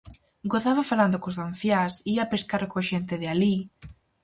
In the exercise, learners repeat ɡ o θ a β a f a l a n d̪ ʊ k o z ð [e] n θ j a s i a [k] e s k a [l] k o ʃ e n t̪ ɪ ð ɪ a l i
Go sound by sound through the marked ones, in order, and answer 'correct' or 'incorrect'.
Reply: incorrect: a, incorrect: p, incorrect: ɾ

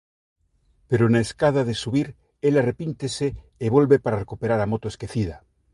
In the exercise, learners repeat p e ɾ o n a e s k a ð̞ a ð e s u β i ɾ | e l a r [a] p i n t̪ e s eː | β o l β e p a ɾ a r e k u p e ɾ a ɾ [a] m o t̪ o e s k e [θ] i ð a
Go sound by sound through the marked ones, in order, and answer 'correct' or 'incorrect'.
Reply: incorrect: e, correct, correct

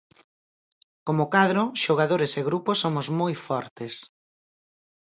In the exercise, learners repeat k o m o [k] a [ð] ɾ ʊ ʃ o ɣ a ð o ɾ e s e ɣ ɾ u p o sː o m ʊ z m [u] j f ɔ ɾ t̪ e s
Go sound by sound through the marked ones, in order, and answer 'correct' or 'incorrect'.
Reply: correct, correct, incorrect: o

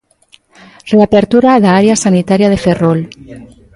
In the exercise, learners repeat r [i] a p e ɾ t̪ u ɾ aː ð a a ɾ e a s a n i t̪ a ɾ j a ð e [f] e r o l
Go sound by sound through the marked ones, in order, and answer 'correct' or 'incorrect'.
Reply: incorrect: e, correct

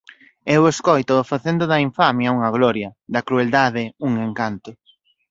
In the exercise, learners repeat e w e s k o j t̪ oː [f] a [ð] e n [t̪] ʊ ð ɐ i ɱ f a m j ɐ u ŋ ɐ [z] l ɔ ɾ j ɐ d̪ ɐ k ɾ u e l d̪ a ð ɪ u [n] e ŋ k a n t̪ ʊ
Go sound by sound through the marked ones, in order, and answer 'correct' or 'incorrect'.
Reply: correct, incorrect: θ, incorrect: d̪, incorrect: ɣ, incorrect: ŋ

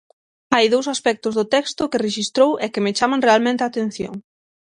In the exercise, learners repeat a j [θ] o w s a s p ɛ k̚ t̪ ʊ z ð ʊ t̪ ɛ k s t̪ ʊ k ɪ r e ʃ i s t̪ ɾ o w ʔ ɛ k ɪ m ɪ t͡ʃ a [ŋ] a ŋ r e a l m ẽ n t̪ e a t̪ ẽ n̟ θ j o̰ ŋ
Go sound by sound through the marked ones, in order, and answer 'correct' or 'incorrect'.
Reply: incorrect: ð, incorrect: m

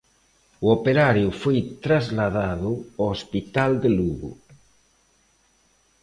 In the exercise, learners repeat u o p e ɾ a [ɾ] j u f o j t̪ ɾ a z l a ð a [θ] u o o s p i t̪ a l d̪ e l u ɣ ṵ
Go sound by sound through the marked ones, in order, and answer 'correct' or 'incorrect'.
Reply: correct, incorrect: ð

